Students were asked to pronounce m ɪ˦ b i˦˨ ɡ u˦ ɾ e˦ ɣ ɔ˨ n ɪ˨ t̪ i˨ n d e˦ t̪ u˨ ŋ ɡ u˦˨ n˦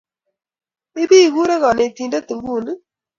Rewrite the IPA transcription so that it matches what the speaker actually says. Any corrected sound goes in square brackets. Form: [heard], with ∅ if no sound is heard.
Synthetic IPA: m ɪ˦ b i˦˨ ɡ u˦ ɾ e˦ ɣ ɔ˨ n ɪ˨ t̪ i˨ n d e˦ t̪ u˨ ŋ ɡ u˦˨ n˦